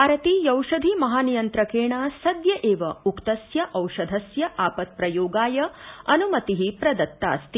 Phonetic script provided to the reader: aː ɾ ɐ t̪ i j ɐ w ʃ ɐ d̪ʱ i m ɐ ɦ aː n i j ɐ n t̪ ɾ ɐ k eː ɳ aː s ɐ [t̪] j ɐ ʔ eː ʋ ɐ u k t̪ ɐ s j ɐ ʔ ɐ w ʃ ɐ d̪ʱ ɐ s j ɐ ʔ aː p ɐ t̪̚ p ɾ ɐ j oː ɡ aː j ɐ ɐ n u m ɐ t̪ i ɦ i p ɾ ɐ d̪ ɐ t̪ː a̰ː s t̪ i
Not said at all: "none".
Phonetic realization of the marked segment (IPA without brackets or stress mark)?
d̪